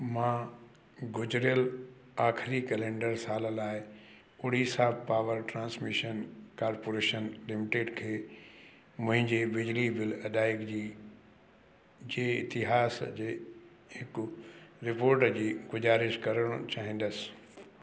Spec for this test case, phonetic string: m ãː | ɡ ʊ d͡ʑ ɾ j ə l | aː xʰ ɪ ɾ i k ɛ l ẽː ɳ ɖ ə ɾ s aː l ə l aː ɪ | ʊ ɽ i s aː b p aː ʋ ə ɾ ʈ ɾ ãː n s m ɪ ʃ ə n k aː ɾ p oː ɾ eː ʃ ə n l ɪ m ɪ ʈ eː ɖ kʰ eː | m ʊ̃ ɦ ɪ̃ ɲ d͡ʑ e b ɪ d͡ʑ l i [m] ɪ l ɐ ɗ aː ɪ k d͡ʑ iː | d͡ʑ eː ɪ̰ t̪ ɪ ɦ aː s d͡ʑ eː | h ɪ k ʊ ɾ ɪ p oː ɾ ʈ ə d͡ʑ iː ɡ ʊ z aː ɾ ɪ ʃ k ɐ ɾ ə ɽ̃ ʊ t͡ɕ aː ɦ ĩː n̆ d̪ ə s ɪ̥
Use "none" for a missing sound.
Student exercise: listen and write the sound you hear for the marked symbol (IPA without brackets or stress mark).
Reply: b